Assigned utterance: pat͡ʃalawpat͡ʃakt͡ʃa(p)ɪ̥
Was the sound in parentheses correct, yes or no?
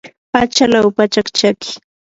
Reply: no